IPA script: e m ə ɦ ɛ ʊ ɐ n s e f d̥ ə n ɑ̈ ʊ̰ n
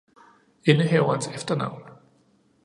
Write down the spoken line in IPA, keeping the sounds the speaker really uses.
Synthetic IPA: e n ə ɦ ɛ ʊ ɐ n s e f d̥ ɐ n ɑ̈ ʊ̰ n